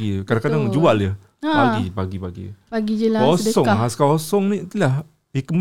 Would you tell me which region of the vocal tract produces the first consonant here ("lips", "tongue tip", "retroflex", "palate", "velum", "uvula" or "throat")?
velum